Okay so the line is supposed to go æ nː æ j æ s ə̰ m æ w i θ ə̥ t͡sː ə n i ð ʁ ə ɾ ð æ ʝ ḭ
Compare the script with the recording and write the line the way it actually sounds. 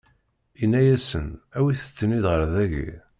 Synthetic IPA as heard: i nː æ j æ s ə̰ n æ w i θ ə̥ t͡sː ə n i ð ʁ ə ɾ ð æ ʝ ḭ